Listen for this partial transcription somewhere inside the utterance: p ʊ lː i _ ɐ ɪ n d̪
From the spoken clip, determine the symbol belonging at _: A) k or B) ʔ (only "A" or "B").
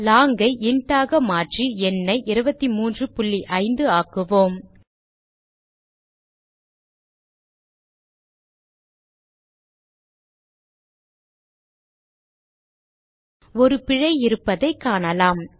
B